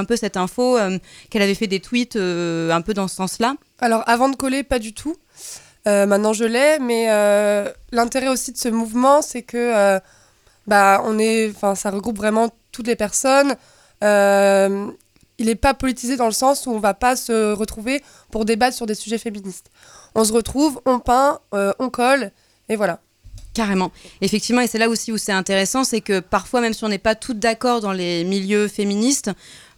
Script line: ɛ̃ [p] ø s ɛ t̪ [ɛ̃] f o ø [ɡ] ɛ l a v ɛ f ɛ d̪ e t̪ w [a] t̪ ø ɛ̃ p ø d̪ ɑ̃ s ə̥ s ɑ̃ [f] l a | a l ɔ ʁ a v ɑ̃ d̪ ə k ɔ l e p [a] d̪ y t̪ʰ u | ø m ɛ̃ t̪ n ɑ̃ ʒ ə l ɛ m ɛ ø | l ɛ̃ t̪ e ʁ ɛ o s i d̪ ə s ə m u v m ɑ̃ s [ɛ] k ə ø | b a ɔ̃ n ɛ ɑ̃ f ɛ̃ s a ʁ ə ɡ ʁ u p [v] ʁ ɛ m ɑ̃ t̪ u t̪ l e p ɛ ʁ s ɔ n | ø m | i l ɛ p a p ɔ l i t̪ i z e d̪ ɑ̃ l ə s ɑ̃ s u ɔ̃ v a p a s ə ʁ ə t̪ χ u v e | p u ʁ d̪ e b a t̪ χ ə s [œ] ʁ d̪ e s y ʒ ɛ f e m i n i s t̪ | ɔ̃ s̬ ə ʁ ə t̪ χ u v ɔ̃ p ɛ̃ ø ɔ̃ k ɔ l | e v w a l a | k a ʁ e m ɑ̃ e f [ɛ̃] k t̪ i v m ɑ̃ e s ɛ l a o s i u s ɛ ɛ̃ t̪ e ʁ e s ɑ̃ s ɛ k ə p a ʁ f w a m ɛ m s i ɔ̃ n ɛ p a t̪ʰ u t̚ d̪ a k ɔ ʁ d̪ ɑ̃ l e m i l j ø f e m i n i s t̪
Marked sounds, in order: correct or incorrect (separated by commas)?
correct, correct, incorrect, incorrect, incorrect, correct, correct, correct, incorrect, incorrect